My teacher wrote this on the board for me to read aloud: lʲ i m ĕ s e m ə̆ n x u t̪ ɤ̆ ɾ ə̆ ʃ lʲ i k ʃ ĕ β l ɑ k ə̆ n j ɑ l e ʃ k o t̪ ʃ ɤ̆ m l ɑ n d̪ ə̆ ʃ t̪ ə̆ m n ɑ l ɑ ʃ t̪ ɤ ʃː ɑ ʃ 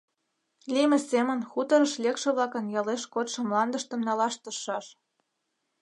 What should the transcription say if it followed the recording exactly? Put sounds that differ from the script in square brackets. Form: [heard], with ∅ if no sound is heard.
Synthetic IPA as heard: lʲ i m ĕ s e m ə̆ n x u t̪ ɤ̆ ɾ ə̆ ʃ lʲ [e] k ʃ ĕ β l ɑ k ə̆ n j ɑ l e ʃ k o t̪ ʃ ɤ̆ m l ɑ n d̪ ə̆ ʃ t̪ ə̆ m n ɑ l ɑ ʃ t̪ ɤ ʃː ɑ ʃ